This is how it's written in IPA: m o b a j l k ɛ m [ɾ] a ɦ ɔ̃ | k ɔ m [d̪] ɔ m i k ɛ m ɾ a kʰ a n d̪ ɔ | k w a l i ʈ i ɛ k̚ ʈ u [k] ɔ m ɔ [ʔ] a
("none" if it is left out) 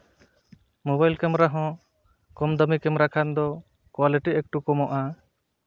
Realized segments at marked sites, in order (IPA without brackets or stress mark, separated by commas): ɾ, d̪, k, ʔ